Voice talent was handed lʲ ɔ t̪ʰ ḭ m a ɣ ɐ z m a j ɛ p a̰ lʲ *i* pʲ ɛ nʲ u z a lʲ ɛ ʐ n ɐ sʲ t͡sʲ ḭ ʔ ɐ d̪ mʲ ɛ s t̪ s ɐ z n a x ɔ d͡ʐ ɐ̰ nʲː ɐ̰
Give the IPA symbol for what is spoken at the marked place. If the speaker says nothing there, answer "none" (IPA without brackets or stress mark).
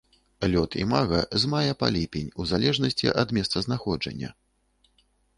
i